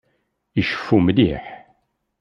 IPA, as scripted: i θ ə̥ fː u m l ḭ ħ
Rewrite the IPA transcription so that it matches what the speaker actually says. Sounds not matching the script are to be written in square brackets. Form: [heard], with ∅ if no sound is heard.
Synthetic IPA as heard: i [ʃ] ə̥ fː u m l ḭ ħ